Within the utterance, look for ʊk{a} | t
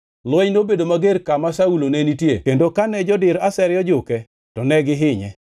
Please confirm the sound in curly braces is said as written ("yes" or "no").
no